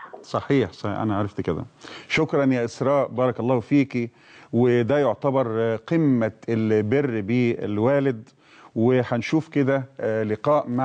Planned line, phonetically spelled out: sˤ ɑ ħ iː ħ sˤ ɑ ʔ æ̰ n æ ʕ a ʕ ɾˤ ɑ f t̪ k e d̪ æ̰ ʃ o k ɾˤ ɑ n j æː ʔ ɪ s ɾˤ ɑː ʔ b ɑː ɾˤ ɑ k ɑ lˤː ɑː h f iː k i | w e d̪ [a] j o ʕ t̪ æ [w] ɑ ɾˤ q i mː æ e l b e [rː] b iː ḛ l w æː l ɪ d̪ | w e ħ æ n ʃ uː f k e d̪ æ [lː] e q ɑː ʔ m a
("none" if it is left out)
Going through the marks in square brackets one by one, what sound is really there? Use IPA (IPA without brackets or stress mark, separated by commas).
æ, b, rː, l